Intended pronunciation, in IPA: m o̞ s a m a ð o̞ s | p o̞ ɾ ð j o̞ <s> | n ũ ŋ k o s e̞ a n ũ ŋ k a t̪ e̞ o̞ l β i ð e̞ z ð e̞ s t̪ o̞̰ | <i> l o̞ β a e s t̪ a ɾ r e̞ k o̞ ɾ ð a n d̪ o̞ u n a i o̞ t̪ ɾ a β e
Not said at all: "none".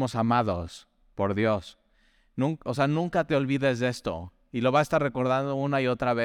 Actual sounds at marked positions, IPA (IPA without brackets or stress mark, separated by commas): s, i